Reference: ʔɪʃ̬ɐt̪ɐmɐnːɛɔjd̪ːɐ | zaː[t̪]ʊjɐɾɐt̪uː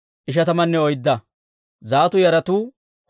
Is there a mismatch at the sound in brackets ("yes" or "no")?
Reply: no